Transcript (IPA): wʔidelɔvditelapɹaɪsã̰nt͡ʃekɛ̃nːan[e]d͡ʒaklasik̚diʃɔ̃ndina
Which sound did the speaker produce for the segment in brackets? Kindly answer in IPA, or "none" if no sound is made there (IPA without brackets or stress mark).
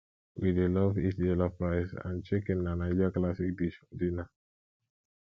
a